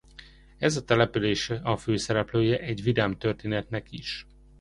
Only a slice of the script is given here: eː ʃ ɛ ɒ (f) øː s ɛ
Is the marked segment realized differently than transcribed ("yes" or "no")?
no